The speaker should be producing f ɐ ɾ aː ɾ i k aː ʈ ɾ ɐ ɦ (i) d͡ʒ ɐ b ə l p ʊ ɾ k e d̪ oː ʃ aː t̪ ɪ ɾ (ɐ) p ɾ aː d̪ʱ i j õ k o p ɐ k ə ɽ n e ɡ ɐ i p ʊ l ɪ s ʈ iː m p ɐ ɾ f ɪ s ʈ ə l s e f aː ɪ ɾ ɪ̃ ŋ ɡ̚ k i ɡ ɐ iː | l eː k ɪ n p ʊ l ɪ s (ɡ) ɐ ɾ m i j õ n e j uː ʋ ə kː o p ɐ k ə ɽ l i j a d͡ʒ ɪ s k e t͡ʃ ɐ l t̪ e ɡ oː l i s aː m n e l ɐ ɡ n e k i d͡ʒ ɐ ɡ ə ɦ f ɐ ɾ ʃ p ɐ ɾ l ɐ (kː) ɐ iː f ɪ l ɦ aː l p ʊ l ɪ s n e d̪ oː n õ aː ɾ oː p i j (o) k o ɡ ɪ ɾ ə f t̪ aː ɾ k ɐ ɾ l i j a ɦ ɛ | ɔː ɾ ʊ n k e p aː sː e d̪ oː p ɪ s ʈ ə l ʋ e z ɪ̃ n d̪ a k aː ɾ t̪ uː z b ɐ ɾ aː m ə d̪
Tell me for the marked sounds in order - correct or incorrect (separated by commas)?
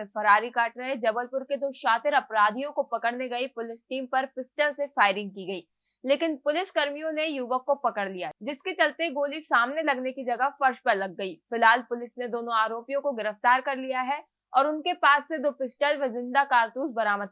incorrect, correct, incorrect, incorrect, incorrect